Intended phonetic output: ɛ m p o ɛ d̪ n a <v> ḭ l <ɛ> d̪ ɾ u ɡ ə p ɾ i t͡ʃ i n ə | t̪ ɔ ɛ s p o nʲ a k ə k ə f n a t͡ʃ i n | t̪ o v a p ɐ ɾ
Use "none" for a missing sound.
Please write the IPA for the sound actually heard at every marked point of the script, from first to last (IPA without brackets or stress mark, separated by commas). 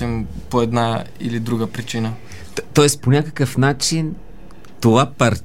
none, i